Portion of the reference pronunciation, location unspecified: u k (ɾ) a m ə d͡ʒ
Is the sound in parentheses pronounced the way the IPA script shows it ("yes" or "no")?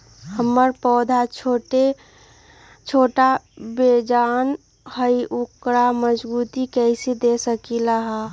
yes